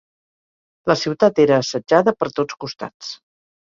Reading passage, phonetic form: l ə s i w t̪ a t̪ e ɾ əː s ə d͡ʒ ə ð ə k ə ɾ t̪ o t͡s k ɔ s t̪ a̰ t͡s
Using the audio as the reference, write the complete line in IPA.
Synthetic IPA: l ə s i w t̪ a t̪ e ɾ əː s ə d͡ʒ a ð ə p ə ɾ t̪ o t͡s k u s t̪ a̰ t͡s